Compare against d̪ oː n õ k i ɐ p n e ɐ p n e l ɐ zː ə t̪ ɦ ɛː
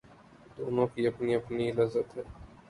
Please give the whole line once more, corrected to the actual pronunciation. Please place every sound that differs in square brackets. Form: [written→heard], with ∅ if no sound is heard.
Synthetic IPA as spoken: d̪ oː n õ k i ɐ p n [e→i] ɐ p n [e→i] l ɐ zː ə t̪ ɦ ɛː